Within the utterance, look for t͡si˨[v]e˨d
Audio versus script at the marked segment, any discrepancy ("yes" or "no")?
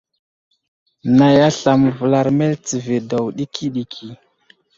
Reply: no